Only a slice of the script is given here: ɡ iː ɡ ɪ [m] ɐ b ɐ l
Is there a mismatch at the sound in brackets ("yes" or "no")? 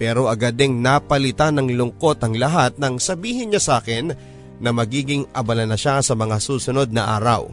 yes